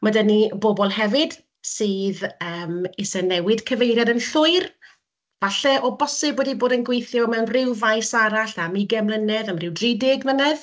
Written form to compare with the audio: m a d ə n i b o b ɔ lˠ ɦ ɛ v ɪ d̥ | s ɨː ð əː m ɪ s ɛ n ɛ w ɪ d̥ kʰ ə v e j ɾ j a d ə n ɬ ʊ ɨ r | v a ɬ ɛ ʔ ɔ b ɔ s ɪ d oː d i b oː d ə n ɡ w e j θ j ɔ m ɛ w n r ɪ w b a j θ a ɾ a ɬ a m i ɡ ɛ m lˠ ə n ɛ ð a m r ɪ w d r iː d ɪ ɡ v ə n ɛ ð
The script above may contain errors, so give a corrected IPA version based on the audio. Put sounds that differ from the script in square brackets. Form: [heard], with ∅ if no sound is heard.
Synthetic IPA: m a d ə n i b o b ɔ lˠ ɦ ɛ v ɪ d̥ | s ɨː ð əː m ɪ s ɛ n ɛ w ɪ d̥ kʰ ə v e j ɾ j a d ə n ɬ ʊ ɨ r | v a ɬ ɛ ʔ ɔ b ɔ s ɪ [b] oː d i b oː d ə n ɡ w e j θ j ɔ m ɛ w n r ɪ w [v] a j [s] a ɾ a ɬ a m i ɡ ɛ m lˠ ə n ɛ ð a m r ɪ w d r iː d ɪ ɡ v ə n ɛ ð